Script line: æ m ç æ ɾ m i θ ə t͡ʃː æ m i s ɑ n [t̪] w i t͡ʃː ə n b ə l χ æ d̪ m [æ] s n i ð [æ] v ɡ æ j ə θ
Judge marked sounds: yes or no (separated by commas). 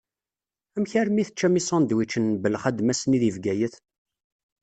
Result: no, yes, no